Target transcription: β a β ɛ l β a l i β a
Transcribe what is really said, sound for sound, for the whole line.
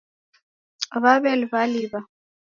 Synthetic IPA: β a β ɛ l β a l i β a